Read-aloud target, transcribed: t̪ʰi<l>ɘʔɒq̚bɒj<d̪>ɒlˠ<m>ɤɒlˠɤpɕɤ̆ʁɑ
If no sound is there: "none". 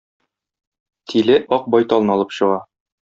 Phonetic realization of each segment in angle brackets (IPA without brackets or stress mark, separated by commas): l, t̪, n